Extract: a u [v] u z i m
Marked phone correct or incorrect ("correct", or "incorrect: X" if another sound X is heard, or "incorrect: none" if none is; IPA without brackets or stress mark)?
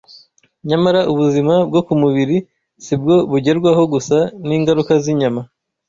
incorrect: β